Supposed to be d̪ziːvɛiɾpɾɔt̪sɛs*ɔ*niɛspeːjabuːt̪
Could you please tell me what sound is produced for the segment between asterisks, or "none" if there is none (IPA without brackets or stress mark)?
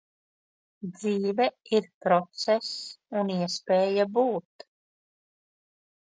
u